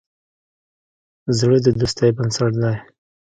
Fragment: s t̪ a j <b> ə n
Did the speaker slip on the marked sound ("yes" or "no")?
no